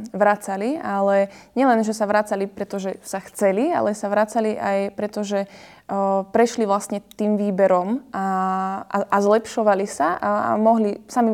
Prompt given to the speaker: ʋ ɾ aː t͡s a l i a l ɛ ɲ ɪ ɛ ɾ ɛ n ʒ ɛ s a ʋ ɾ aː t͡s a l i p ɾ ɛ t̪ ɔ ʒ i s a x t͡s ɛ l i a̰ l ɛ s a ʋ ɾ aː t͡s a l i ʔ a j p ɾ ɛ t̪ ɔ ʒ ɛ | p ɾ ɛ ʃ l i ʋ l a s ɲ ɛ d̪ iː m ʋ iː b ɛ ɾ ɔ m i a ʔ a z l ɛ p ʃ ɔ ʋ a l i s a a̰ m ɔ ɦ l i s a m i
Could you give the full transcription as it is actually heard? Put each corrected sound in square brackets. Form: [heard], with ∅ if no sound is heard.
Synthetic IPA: ʋ ɾ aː t͡s a l i a l ɛ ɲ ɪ ɛ [l] ɛ n ʒ ɛ s a ʋ ɾ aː t͡s a l i p ɾ ɛ t̪ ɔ ʒ [ɛ] s a x t͡s ɛ l i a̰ l ɛ s a ʋ ɾ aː t͡s a l i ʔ a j p ɾ ɛ t̪ ɔ ʒ ɛ | p ɾ ɛ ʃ l i ʋ l a s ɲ ɛ [t̪] iː m ʋ iː b ɛ ɾ ɔ m [a] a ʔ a z l ɛ p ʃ ɔ ʋ a l i s a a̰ m ɔ ɦ l i s a m i